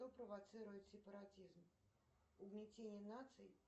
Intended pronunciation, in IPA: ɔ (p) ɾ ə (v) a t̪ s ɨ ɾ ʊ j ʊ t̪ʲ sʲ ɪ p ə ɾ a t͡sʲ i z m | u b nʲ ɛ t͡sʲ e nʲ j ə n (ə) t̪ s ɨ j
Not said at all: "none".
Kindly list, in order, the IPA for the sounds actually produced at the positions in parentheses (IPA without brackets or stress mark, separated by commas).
p, v, a